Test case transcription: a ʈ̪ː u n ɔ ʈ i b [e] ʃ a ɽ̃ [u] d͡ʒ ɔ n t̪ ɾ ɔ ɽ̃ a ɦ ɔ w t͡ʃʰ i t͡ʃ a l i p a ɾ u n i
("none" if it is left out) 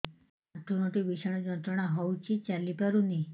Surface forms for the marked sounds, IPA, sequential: i, ɔ

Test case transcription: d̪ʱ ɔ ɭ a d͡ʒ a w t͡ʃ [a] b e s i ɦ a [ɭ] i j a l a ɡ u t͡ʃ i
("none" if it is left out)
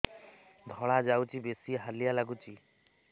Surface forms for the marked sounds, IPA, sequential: i, l

